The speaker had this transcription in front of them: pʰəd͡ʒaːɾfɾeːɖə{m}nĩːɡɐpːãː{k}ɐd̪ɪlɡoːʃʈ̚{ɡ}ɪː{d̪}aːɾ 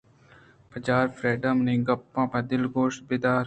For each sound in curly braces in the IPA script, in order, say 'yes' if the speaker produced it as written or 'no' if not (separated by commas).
yes, no, no, yes